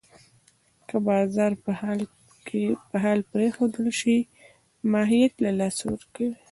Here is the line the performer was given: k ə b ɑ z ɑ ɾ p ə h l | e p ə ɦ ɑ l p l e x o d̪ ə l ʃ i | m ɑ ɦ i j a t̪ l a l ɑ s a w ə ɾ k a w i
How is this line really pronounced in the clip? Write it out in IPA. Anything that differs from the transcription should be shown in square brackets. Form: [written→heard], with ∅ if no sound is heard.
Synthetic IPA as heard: k ə b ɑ z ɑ ɾ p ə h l | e p ə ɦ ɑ l p [l→ɾ] e x o d̪ ə l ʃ i | m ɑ ɦ i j a t̪ l a l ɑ s a w ə ɾ k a w i

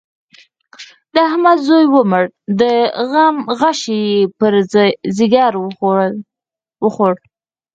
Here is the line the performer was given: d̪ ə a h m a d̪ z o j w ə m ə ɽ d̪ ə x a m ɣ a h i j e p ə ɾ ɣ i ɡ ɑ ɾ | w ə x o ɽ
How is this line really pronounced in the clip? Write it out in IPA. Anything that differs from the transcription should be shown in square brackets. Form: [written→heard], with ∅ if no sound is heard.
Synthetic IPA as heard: d̪ ə a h m a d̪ z o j w ə m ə ɽ d̪ ə [x→ɣ] a m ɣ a [h→ʃ] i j e p ə ɾ [ɣ→z] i ɡ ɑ ɾ | w ə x o ɽ

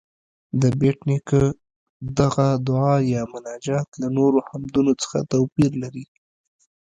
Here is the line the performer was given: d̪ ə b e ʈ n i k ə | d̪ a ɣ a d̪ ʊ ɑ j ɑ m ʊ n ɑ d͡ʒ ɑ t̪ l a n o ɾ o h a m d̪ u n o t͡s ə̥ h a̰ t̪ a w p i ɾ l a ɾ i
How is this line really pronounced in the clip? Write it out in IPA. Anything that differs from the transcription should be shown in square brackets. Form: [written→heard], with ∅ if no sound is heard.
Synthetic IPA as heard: d̪ ə b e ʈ n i k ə | d̪ a ɣ a d̪ ʊ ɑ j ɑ m ʊ n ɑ d͡ʒ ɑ t̪ l a n o ɾ o h a m d̪ u n o t͡s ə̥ [h→x] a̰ t̪ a w p i ɾ l a ɾ i

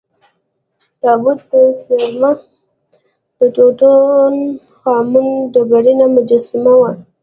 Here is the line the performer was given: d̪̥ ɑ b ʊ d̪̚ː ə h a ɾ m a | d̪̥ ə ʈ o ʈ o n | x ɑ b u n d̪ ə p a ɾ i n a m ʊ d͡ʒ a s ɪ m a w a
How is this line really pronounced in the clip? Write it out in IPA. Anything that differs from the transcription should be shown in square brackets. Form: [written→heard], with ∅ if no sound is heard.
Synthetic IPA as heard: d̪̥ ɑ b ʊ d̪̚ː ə [h→s] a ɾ m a | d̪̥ ə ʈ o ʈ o n | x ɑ [b→m] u n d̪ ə [p→b] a ɾ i n a m ʊ d͡ʒ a s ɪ m a w a

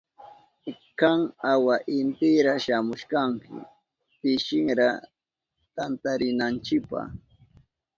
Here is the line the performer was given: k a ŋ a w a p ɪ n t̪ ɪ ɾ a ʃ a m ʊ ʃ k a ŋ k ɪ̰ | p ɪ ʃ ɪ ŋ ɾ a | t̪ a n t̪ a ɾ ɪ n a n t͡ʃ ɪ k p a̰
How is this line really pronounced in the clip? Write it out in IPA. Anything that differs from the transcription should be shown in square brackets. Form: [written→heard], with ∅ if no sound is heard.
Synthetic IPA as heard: k a ŋ a w a [p→ʔ] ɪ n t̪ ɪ ɾ a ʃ a m ʊ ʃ k a ŋ k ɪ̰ | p ɪ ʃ ɪ ŋ ɾ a | t̪ a n t̪ a ɾ ɪ n a n t͡ʃ ɪ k p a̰

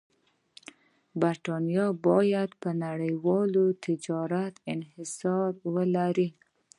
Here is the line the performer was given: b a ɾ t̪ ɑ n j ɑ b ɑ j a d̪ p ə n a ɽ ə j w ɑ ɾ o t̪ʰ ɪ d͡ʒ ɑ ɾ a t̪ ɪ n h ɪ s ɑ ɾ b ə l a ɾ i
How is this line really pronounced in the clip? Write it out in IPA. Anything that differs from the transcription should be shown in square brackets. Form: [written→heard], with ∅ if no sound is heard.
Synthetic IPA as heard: b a ɾ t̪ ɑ n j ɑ b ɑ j a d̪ p ə n a ɽ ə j w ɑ [ɾ→l] o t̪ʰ ɪ d͡ʒ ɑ ɾ a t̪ ɪ n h ɪ s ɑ ɾ [b→w] ə l a ɾ i

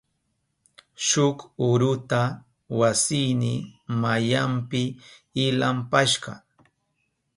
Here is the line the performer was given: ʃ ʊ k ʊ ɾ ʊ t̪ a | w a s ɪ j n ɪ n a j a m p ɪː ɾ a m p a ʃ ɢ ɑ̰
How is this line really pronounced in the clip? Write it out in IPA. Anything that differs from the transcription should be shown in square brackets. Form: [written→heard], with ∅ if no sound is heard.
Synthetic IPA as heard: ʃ ʊ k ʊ ɾ ʊ t̪ a | w a s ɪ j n ɪ [n→m] a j a m p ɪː [ɾ→l] a m p a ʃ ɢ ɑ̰

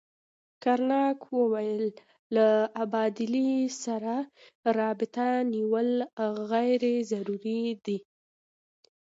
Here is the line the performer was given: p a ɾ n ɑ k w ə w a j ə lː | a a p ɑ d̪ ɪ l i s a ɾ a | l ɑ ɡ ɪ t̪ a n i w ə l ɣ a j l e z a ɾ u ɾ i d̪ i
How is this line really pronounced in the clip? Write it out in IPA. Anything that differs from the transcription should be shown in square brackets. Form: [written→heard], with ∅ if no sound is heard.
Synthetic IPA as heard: [p→k] a ɾ n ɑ k w ə w a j ə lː | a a [p→b] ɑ d̪ ɪ l i s a ɾ a | [l→ɾ] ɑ [ɡ→b] ɪ t̪ a n i w ə l ɣ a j [l→ɾ] e z a ɾ u ɾ i d̪ i

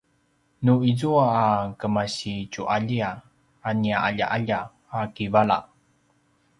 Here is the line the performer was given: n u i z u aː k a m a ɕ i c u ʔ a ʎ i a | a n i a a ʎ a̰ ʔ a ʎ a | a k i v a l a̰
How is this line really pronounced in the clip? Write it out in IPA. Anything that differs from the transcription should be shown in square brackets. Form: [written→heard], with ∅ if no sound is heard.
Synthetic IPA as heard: n u i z u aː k [a→ə] m a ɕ i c u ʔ a ʎ i a | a n i a a ʎ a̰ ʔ a ʎ a | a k i v a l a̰

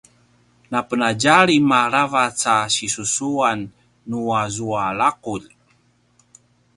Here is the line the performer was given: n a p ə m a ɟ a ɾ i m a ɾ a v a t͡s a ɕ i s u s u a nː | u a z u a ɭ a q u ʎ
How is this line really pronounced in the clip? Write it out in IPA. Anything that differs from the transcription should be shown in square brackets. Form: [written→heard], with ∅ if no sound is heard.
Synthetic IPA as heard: n a p ə [m→n] a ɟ a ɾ i m a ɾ a v a t͡s a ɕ i s u s u a nː | u a z u a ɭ a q u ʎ

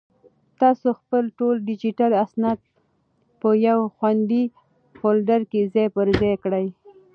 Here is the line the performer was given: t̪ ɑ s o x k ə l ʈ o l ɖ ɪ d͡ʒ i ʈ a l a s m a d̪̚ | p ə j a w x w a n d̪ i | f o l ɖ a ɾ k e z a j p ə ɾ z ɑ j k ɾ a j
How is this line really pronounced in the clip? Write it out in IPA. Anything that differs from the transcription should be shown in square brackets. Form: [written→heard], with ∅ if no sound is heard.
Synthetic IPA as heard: t̪ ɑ s o x [k→p] ə l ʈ o l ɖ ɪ d͡ʒ i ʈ a l a s [m→n] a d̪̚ | p ə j a w x w a n d̪ i | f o l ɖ a ɾ k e z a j p ə ɾ z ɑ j k [ɾ→ɽ] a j

